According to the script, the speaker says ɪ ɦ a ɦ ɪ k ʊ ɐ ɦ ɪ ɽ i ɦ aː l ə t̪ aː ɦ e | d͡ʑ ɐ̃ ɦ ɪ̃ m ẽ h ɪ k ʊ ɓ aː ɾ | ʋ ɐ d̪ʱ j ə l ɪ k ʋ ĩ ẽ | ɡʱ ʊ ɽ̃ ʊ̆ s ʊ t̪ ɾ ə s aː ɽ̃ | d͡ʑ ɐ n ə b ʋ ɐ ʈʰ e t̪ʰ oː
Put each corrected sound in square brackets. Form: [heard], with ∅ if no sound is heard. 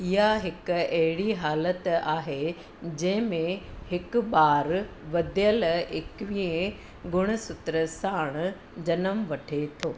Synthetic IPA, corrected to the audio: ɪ ɦ a ɦ ɪ k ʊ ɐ ɦ ɪ ɽ i ɦ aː l ə t̪ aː ɦ e | d͡ʑ ɐ̃ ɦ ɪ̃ m ẽ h ɪ k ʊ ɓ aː ɾ | ʋ ɐ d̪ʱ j ə l ɪ k ʋ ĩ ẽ | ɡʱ ʊ ɽ̃ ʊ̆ s ʊ t̪ ɾ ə s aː ɽ̃ | d͡ʑ ɐ n ə [m] ʋ ɐ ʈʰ e t̪ʰ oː